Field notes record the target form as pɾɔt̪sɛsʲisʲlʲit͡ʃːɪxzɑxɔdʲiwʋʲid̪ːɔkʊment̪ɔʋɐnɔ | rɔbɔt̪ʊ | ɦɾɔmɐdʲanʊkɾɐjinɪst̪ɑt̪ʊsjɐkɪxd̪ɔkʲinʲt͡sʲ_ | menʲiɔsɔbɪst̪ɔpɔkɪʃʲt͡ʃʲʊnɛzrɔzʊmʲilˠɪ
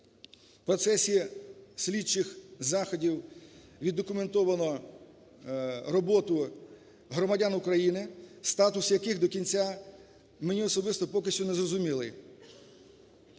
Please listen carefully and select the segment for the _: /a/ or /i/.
a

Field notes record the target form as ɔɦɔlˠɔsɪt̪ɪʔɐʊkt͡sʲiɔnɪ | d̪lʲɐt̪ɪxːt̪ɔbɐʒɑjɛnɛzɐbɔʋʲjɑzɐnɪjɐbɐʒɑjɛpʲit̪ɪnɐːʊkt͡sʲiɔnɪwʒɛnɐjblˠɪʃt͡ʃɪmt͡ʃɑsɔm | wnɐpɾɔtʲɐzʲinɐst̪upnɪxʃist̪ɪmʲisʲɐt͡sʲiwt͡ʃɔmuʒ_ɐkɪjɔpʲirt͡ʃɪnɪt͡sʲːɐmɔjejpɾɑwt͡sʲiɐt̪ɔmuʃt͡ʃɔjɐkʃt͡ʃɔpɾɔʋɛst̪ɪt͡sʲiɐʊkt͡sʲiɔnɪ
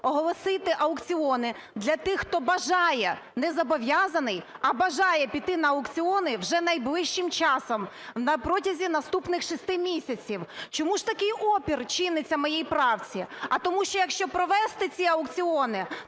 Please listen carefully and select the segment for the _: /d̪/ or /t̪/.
t̪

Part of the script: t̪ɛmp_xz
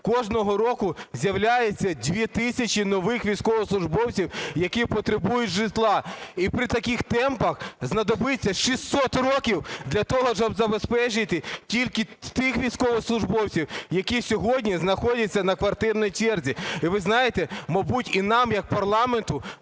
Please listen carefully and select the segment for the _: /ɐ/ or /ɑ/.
ɐ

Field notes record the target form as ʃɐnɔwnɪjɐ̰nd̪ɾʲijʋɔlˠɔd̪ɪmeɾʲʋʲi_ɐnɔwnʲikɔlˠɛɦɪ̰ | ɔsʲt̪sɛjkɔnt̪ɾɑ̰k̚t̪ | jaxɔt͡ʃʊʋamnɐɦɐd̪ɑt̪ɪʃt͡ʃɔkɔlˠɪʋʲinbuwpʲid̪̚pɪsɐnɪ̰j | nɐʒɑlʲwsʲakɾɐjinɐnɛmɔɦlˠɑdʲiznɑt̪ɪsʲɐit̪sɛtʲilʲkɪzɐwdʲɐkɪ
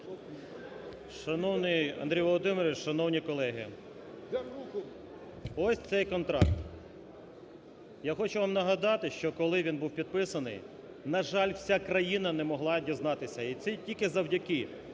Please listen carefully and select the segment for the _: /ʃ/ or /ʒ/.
ʃ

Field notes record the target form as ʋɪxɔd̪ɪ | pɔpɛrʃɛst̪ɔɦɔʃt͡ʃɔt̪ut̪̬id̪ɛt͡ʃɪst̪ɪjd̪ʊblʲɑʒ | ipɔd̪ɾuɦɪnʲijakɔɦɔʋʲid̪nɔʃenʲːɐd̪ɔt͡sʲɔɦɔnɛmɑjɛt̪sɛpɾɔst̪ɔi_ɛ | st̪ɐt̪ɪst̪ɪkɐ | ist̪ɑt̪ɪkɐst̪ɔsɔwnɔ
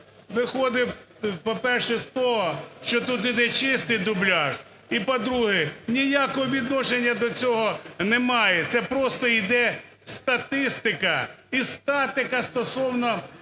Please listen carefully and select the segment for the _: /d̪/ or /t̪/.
d̪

